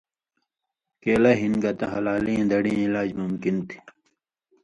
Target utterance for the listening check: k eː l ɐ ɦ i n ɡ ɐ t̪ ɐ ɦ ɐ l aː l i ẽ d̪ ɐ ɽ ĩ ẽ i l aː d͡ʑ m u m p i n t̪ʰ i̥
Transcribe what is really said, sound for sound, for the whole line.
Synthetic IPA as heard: k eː l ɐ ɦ i n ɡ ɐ t̪ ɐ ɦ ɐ l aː l i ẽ d̪ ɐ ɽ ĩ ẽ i l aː d͡ʑ m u m k i n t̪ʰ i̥